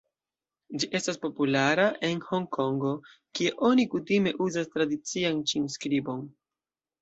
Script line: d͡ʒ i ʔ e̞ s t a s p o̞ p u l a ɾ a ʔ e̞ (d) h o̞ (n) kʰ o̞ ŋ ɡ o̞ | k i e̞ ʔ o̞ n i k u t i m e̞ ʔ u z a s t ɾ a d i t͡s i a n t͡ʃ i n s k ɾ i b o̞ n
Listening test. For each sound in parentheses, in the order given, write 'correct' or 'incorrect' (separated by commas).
incorrect, incorrect